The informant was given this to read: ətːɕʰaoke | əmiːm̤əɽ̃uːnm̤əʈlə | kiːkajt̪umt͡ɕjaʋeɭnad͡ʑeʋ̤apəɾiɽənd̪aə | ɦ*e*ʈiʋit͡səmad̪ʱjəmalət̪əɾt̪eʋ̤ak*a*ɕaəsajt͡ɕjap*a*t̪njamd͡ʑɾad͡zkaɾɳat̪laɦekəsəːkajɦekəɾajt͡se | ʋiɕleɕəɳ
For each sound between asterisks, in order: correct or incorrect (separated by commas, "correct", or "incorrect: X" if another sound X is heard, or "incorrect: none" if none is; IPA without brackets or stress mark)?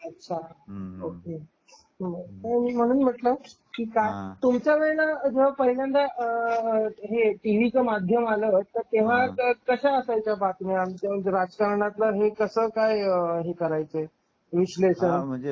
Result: correct, incorrect: ə, correct